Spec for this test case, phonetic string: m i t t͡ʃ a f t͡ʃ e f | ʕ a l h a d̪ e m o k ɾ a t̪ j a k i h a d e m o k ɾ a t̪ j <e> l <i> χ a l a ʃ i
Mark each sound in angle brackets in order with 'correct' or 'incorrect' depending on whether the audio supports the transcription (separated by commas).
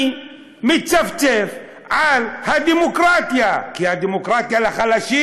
incorrect, incorrect